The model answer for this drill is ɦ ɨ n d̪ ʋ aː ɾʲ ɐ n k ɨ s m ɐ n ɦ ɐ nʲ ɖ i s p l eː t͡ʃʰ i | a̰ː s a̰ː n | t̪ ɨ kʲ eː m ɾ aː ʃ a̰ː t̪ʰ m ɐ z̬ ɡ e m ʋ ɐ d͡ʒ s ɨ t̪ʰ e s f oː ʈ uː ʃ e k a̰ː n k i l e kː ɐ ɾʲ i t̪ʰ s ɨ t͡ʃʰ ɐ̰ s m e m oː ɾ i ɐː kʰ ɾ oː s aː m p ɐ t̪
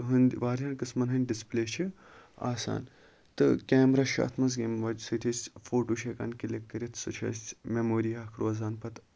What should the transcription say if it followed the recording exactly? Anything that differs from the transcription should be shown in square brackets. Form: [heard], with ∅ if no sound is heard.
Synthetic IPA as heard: ɦ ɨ n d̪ ʋ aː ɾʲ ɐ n k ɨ s m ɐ n ɦ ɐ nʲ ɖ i s p l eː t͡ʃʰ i | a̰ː s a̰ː n | t̪ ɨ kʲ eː m ɾ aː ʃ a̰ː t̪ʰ m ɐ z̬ ɡ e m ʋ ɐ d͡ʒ s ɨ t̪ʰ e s f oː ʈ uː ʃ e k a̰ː n k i l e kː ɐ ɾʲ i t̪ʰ s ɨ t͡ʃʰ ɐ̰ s m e m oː ɾ i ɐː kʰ ɾ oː [z] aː [n] p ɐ t̪